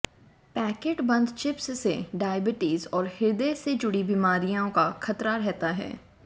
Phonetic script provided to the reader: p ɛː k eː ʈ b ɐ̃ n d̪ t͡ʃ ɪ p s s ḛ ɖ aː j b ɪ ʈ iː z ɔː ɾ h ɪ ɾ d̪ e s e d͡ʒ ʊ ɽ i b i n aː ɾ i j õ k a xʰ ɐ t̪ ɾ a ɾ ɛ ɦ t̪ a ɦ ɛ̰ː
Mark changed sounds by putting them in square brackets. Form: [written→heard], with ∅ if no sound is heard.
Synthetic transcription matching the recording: p ɛː k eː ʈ b ɐ̃ n d̪ t͡ʃ ɪ p s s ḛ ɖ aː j b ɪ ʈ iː z ɔː ɾ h ɪ ɾ d̪ e s e d͡ʒ ʊ ɽ i b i [n→m] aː ɾ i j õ k a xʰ ɐ t̪ ɾ a ɾ ɛ ɦ t̪ a ɦ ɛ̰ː